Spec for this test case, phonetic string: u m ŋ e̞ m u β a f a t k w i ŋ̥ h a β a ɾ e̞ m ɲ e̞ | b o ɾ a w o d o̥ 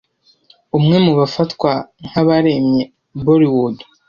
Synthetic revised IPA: u m ŋ e̞ m u β a f a t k w a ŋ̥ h a β a ɾ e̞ m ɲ e̞ | b o ɾ i w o d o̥